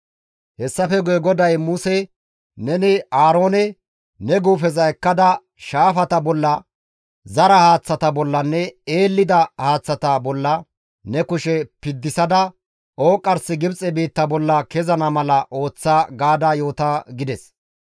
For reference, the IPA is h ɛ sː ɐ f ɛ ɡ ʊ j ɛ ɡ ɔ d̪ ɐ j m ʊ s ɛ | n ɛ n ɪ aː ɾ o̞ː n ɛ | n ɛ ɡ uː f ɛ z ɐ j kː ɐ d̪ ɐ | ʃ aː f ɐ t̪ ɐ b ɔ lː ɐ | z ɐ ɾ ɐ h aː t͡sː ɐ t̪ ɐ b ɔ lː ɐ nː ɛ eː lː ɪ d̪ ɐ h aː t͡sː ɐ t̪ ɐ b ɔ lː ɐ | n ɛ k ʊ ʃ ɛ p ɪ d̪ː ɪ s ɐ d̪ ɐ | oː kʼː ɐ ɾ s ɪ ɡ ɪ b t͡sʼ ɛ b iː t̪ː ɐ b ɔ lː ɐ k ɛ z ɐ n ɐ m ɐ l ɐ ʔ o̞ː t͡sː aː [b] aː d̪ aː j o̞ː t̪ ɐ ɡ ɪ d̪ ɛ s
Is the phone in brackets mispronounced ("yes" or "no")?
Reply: yes